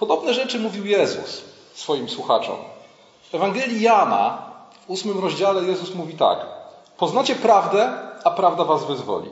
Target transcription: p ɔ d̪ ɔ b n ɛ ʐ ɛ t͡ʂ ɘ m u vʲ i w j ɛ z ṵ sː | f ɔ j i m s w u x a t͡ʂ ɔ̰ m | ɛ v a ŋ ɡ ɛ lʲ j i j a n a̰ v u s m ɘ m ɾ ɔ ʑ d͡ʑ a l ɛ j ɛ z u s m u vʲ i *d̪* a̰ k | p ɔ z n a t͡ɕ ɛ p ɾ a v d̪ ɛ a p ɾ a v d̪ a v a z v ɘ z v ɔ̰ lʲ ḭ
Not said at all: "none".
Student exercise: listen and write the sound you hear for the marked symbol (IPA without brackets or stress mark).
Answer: t̪